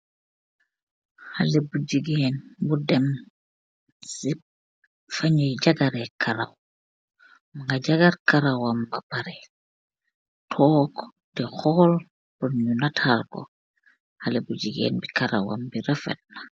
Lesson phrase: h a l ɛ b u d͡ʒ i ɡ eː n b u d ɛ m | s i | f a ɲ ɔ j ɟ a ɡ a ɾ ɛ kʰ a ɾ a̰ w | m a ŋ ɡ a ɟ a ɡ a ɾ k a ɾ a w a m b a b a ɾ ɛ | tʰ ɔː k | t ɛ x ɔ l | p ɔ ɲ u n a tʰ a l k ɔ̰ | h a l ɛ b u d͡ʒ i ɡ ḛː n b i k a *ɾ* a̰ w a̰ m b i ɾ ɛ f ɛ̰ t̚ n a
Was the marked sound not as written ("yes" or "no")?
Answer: no